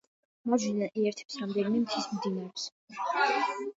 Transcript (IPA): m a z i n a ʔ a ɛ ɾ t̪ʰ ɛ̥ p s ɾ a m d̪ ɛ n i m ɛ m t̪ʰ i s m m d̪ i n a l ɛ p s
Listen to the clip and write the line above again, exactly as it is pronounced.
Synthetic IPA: m a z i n a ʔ i ɛ ɾ t̪ʰ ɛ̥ p s ɾ a m d̪ ɛ n i m ɛ m t̪ʰ i s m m d̪ i n a ɾ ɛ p s